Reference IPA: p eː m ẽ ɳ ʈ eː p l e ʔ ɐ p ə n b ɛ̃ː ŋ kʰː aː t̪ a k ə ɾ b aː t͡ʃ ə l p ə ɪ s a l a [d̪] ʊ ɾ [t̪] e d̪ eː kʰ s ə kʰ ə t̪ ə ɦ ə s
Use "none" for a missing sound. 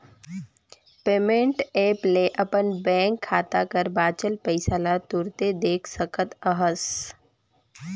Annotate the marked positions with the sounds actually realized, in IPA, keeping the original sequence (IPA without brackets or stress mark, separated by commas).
t̪, t̪